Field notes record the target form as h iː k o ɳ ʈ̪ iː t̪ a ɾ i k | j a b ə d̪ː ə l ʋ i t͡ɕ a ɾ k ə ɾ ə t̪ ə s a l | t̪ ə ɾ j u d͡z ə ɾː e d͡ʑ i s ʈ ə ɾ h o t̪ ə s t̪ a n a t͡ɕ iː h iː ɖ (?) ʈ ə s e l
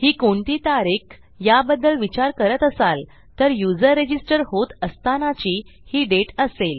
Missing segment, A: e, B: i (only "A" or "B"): A